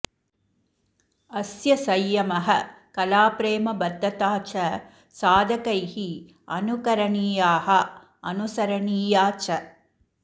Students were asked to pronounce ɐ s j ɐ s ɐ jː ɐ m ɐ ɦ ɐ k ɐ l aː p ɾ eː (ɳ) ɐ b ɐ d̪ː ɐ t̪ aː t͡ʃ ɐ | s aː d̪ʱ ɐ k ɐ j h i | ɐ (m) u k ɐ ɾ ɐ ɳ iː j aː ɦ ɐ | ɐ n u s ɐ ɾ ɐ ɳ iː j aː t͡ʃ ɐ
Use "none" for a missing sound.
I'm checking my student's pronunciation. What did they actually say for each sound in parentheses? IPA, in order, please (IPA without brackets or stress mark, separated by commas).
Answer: m, n